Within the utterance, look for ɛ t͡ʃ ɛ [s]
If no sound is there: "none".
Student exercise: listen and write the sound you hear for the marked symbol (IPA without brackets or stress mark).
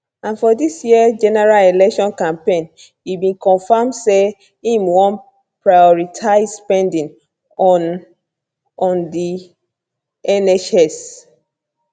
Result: s